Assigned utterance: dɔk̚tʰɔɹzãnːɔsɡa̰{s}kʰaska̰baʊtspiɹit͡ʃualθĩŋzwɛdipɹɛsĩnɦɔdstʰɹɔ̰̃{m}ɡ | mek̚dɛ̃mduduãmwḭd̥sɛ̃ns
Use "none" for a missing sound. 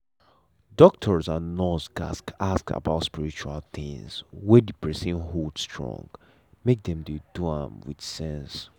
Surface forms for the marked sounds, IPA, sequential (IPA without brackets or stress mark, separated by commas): s, ŋ